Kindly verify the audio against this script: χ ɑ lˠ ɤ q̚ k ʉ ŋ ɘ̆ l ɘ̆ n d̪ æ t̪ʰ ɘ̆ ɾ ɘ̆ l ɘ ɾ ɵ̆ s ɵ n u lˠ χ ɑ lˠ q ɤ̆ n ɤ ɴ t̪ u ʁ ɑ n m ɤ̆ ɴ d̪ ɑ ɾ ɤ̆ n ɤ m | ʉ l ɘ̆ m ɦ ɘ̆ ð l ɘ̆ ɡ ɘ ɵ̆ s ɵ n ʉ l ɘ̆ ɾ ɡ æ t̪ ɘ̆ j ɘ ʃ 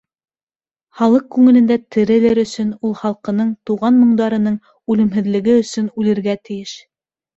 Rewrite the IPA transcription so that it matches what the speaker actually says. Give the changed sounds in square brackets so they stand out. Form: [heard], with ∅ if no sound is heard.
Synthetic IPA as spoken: χ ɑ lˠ ɤ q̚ k ʉ ŋ ɘ̆ l ɘ̆ n d̪ æ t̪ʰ ɘ̆ ɾ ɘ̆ l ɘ ɾ ɵ̆ s ɵ n u lˠ χ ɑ lˠ q ɤ̆ n ɤ ɴ t̪ u ʁ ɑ n m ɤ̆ ɴ d̪ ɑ ɾ ɤ̆ n ɤ [ɴ] | ʉ l ɘ̆ m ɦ ɘ̆ ð l ɘ̆ ɡ ɘ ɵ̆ s ɵ n ʉ l ɘ̆ ɾ ɡ æ t̪ ɘ̆ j ɘ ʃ

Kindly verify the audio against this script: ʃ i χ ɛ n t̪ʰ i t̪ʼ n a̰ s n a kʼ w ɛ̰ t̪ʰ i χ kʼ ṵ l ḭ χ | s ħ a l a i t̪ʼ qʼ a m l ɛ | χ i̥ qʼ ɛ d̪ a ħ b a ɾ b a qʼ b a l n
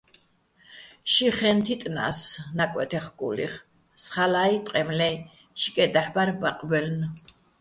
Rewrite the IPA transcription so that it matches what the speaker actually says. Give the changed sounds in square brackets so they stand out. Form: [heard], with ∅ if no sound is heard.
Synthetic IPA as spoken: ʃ i χ ɛ n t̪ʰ i t̪ʼ n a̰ s n a kʼ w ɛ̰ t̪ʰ [ɛ] χ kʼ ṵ l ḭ χ | s [χ] a l a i t̪ʼ qʼ [ɛ] m l ɛ | [ʃ] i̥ [kʼ] ɛ d̪ a ħ b a ɾ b a qʼ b [ɛ] l n

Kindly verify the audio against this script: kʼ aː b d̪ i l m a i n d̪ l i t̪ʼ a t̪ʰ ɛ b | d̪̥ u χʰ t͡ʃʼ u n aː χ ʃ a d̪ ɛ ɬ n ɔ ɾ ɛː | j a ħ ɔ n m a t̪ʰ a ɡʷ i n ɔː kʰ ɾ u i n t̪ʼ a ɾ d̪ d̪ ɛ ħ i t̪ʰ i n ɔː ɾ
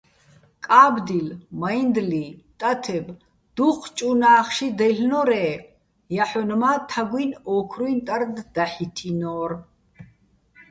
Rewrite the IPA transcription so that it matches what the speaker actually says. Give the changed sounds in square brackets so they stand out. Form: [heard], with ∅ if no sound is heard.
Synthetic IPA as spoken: kʼ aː b d̪ i l m a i n d̪ l i t̪ʼ a t̪ʰ ɛ b | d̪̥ u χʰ t͡ʃʼ u n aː χ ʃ [i] d̪ ɛ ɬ n ɔ ɾ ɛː | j a ħ ɔ n m a t̪ʰ a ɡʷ i n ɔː kʰ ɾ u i n t̪ʼ a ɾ d̪ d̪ [a] ħ i t̪ʰ i n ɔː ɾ

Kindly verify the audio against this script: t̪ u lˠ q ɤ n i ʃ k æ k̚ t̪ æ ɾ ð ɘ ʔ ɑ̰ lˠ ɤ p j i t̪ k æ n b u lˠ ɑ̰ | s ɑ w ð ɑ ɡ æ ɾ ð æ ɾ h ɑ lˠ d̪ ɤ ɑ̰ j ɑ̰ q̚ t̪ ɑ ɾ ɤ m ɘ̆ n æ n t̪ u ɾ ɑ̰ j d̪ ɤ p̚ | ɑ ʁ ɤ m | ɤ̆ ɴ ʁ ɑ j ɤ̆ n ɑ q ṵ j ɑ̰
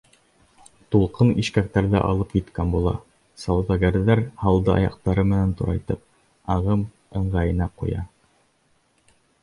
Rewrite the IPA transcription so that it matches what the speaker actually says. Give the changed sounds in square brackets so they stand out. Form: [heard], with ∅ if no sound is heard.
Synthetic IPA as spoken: t̪ u lˠ q ɤ n i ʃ k æ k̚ t̪ æ ɾ ð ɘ ʔ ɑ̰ lˠ ɤ p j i t̪ k æ n b u lˠ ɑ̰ | s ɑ w ð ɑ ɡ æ ɾ ð æ ɾ h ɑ lˠ d̪ ɤ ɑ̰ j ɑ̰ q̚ t̪ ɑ ɾ ɤ m ɘ̆ n æ n t̪ u ɾ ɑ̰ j [t̪] ɤ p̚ | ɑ ʁ ɤ m | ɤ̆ ɴ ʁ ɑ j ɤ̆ n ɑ q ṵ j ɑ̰

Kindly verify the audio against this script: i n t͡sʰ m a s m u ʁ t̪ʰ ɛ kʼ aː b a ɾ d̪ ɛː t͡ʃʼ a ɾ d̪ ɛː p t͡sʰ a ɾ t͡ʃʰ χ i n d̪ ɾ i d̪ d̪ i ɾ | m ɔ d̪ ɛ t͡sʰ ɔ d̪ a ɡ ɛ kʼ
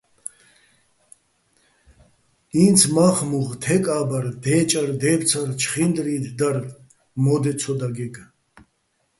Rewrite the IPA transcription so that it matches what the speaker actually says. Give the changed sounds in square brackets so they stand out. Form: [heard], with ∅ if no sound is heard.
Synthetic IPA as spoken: i n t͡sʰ m a [χ] m u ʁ t̪ʰ ɛ kʼ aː b a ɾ d̪ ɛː t͡ʃʼ a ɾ d̪ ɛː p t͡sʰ a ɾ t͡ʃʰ χ i n d̪ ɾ i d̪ d̪ [a] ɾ | m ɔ d̪ ɛ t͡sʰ ɔ d̪ a ɡ ɛ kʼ

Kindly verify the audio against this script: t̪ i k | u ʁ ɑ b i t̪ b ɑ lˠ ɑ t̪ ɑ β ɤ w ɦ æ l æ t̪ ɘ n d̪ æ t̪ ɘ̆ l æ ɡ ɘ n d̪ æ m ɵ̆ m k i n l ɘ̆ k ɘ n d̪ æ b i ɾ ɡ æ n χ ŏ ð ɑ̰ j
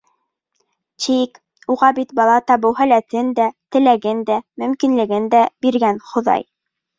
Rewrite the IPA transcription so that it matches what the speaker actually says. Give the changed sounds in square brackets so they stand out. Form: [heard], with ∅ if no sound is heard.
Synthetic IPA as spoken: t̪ i k | u ʁ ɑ b i t̪ b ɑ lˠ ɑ t̪ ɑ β ɤ w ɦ æ l æ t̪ ɘ n d̪ æ t̪ ɘ̆ l æ ɡ ɘ n d̪ æ m ɵ̆ m k i n l ɘ̆ [ɡ] ɘ n d̪ æ b i ɾ ɡ æ n χ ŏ ð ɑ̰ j

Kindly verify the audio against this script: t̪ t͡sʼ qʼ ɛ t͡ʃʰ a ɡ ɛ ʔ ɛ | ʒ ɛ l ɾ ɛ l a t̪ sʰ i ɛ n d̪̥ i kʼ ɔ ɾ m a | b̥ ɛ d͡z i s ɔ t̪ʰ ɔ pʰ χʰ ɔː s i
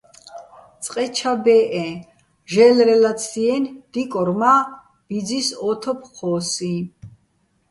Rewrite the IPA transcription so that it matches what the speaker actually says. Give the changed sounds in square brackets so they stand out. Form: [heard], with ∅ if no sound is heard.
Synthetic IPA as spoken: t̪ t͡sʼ qʼ ɛ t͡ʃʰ a [b] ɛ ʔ ɛ | ʒ ɛ l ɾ ɛ l a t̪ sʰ i ɛ n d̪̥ i kʼ ɔ ɾ m a | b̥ [i] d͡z i s ɔ t̪ʰ ɔ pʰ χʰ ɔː s i

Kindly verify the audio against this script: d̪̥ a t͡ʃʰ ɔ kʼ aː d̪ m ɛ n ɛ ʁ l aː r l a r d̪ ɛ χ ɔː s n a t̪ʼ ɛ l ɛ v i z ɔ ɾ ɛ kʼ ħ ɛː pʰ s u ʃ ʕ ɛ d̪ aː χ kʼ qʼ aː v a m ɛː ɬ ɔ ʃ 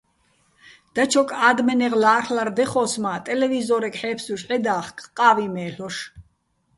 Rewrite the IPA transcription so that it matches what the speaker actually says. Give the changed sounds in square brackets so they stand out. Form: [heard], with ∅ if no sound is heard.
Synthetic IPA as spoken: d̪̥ a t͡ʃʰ ɔ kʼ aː d̪ m ɛ n ɛ ʁ l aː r l a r d̪ ɛ χ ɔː s [m] a t̪ʼ ɛ l ɛ v i z ɔ ɾ ɛ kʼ ħ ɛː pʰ s u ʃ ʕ ɛ d̪ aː χ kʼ qʼ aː v [i] m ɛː ɬ ɔ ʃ

